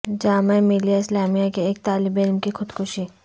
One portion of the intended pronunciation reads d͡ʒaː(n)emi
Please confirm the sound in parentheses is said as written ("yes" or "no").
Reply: no